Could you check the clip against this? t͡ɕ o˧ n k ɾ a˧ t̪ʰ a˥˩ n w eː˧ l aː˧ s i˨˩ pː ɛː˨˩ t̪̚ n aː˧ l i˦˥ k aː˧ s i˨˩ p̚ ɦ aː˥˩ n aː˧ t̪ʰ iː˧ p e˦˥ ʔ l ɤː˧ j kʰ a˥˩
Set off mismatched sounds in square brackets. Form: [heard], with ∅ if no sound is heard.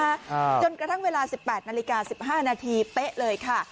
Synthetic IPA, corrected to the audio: t͡ɕ o˧ n k ɾ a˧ t̪ʰ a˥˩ [ŋ] w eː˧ l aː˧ s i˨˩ pː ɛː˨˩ t̪̚ n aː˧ l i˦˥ k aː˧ s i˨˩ p̚ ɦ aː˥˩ n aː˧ t̪ʰ iː˧ p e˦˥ ʔ l ɤː˧ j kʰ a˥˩